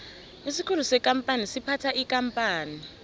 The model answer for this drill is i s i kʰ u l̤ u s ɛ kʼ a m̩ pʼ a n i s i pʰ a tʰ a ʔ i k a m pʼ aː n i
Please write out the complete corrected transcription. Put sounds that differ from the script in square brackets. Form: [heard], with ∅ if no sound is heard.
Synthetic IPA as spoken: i s i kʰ u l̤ u s ɛ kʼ a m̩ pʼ a n i s i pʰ a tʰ a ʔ i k a m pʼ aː n i